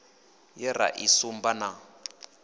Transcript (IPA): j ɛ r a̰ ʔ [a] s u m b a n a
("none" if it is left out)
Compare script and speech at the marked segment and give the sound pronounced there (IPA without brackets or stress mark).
i